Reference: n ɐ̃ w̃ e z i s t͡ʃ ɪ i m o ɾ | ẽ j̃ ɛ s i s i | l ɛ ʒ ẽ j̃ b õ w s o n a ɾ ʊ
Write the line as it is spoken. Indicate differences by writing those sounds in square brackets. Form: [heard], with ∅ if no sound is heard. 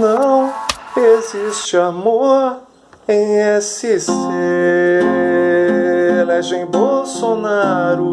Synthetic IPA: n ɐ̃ w̃ e z i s t͡ʃ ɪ [a] m o ɾ | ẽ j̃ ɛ s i s [e] | l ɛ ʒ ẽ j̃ b [o] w s o n a ɾ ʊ